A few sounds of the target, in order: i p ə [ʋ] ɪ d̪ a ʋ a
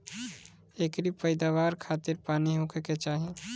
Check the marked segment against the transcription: incorrect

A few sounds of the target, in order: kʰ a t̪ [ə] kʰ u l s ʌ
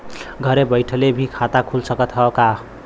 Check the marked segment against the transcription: incorrect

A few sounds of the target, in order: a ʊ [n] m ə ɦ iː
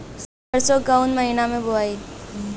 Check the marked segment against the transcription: correct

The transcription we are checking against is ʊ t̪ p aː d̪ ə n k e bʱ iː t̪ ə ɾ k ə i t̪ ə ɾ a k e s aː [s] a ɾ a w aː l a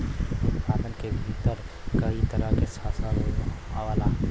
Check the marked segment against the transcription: correct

